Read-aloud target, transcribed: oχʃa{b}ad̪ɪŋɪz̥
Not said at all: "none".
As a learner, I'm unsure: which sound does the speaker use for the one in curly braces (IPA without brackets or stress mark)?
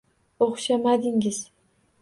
m